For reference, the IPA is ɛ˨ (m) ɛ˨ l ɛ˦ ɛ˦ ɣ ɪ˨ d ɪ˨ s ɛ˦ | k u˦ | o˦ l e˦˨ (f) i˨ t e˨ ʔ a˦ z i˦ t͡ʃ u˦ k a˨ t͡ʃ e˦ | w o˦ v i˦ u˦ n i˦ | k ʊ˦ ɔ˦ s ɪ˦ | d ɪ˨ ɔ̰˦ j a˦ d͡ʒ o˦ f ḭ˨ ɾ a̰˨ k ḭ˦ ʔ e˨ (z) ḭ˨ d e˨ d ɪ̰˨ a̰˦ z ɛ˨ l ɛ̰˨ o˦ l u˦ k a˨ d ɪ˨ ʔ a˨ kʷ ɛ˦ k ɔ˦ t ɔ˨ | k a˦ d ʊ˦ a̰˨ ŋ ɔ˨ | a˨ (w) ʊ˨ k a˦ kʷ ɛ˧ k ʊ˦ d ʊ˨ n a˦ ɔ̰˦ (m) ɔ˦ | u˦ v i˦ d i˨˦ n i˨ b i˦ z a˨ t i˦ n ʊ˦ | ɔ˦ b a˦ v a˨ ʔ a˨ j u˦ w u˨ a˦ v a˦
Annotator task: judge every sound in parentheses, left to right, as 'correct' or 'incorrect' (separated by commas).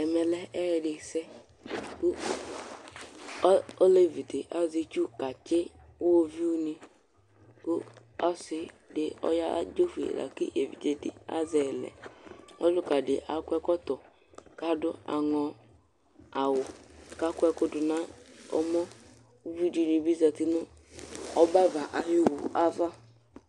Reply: correct, incorrect, incorrect, correct, correct